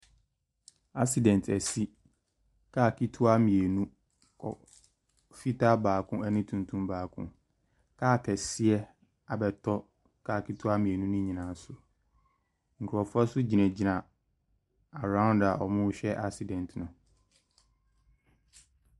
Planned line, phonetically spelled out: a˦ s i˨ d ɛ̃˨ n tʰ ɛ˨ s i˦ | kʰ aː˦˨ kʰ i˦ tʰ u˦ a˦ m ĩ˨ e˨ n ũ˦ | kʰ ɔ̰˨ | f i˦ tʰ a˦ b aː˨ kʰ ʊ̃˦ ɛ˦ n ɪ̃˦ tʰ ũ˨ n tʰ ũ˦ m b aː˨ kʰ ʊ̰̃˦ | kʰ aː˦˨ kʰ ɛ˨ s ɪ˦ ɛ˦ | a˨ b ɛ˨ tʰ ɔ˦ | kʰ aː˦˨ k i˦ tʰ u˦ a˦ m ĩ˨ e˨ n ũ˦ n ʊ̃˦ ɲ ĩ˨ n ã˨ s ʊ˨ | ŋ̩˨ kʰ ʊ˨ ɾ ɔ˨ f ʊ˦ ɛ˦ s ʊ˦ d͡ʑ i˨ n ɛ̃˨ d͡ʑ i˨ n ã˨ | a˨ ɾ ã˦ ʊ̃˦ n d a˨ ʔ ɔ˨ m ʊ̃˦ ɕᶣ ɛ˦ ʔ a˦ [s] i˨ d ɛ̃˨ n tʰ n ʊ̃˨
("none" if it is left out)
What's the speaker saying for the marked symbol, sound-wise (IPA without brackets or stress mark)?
s